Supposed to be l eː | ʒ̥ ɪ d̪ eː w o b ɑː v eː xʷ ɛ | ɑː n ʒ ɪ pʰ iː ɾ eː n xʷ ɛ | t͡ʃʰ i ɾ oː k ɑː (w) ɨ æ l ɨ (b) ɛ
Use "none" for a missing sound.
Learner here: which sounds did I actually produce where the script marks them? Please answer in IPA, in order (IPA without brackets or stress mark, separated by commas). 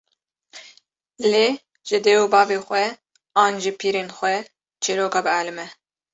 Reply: b, m